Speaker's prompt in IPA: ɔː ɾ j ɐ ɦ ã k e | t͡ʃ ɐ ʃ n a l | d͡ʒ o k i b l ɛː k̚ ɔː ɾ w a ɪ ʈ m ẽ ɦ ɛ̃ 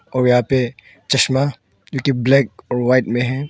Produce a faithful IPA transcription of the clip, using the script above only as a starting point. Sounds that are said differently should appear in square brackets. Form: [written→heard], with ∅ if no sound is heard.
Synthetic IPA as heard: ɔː ɾ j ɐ ɦ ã [k→p] e | t͡ʃ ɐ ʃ [n→m] a [l→∅] | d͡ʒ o k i b l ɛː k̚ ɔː ɾ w a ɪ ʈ m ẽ ɦ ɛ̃